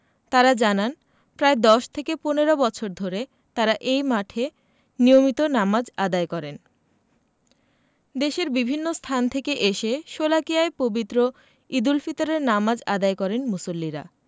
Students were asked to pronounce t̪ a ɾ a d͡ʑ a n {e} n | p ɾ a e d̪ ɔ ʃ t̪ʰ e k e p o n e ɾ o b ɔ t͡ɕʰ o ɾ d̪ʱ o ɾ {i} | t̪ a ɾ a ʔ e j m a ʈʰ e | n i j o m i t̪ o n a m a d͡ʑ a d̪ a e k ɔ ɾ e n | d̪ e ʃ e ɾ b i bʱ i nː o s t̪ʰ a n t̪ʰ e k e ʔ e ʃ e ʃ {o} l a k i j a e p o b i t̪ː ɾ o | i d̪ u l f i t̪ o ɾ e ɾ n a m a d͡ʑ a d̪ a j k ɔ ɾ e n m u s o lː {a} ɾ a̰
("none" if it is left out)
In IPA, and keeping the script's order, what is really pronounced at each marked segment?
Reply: a, e, o, i

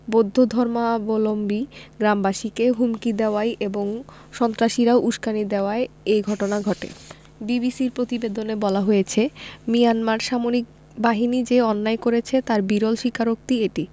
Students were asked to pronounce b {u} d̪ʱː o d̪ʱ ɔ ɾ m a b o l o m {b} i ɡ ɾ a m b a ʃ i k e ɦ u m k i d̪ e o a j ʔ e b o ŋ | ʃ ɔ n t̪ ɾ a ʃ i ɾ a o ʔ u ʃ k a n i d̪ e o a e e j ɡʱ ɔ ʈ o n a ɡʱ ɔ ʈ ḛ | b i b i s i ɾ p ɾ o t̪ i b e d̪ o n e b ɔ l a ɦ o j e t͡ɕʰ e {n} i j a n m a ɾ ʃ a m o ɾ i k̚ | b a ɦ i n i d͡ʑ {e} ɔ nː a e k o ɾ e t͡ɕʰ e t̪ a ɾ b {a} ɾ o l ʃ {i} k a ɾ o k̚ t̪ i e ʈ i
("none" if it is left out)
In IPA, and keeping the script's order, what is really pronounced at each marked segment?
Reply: o, b, m, e, i, i

